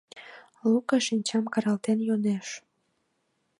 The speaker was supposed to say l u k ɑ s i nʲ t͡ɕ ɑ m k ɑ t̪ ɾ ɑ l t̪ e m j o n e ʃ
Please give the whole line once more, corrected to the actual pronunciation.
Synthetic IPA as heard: l u k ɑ ʃ i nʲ t͡ɕ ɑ m k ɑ ɾ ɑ l t̪ e n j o n e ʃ

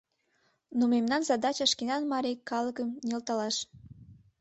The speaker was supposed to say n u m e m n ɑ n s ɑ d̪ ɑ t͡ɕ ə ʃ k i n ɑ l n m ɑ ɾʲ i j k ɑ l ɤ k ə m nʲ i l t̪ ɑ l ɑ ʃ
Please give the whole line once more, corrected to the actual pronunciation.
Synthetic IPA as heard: n u m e m n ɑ n z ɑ d̪ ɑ t͡ɕ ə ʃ k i n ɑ n m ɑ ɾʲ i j k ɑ l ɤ k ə m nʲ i l t̪ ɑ l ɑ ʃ

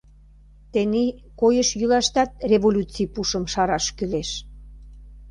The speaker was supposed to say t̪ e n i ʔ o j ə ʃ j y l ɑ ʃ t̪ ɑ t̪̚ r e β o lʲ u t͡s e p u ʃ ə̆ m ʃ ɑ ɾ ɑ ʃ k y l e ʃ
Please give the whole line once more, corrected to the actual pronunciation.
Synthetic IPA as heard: t̪ e n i k o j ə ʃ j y l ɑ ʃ t̪ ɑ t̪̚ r e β o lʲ u t͡s i p u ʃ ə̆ m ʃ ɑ ɾ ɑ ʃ k y l e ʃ

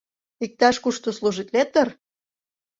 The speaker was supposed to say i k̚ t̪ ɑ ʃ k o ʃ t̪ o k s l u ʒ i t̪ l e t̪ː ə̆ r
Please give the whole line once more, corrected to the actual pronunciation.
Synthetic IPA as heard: i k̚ t̪ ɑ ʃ k u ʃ t̪ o s l u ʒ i t̪ l e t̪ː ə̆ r

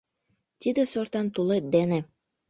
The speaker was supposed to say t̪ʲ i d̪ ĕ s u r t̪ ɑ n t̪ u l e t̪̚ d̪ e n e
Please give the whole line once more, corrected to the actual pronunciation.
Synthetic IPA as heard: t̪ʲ i d̪ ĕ s o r t̪ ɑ n t̪ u l e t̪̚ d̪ e n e

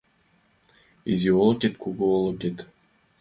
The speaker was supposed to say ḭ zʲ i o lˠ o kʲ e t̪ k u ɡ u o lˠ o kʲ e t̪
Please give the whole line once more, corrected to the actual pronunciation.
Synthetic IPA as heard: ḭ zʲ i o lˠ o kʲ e t̪ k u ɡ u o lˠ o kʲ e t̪

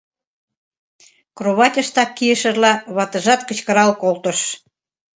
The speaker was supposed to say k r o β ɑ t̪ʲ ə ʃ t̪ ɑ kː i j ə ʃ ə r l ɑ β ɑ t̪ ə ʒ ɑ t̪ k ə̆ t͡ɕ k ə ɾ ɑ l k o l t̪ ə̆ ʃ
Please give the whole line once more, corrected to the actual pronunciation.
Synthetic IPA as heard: k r o β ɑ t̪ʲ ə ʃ t̪ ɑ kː i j ə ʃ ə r l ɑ β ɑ t̪ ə ʒ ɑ t̪ k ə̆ t͡ɕ k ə ɾ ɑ l k o l t̪ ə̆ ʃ

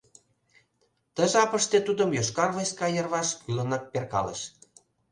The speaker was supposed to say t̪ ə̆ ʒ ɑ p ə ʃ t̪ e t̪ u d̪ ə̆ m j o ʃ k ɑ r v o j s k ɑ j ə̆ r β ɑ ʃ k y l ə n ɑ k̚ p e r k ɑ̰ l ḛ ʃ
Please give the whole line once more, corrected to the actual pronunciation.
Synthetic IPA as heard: t̪ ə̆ ʒ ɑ p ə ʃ t̪ e t̪ u d̪ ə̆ m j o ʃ k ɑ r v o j s k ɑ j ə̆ r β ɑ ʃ k y l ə n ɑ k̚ p e r k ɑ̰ l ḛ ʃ

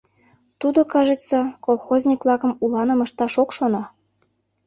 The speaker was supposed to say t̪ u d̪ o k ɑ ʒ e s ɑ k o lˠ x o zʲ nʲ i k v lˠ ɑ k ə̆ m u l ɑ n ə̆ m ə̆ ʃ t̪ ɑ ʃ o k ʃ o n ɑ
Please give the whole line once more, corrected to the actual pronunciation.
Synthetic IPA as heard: t̪ u d̪ o k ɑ ʒ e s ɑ k o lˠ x o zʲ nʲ i k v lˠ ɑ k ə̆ m u l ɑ n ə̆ m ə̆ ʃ t̪ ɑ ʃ o k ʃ o n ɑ

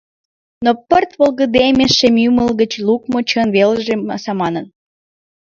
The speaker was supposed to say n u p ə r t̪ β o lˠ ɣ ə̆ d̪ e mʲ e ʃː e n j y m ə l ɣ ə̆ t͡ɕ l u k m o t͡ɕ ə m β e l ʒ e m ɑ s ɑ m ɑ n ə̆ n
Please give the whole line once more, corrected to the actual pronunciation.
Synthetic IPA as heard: n o p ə r t̪ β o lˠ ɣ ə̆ d̪ e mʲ e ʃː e m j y m ə l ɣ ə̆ t͡ɕ l u k m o t͡ɕ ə n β e l ʒ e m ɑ s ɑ m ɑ n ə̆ n

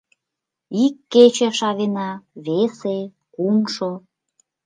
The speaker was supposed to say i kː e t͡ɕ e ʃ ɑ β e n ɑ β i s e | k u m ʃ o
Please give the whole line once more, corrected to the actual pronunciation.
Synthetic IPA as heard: i kː e t͡ɕ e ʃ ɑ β e n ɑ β e s e | k u m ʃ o

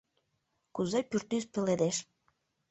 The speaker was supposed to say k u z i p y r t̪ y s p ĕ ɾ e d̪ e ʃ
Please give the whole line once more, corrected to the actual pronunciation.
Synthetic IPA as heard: k u z e p y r t̪ y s p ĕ l e d̪ e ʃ

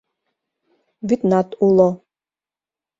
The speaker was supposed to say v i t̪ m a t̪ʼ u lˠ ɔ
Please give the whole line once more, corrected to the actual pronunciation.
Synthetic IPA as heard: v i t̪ n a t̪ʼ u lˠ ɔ

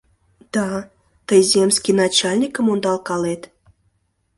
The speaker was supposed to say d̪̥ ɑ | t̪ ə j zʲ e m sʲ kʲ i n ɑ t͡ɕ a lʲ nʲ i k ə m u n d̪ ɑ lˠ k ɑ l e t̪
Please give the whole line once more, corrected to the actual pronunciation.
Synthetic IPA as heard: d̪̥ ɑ | t̪ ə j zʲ e m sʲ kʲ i n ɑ t͡ɕ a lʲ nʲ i k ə m o n d̪ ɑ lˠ k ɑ l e t̪

